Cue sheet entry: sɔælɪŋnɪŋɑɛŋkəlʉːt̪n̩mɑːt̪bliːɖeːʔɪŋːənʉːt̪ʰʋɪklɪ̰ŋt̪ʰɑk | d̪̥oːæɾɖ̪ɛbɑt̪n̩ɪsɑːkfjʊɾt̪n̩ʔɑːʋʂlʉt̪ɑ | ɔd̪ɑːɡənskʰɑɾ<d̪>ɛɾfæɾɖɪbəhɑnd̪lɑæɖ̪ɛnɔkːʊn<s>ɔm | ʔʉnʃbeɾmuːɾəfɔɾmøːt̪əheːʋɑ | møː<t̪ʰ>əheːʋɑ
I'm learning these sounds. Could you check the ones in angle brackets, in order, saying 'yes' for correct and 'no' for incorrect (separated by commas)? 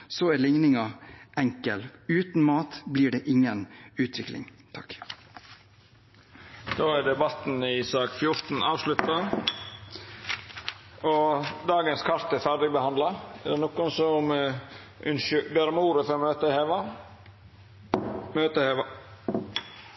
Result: no, yes, no